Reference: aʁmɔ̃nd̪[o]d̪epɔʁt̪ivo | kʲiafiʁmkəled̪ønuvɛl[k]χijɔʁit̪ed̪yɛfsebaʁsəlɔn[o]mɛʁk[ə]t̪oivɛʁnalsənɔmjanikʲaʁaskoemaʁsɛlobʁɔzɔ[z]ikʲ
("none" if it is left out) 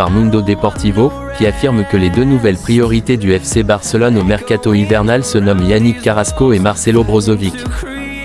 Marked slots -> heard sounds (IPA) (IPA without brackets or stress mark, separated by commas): o, p, o, a, v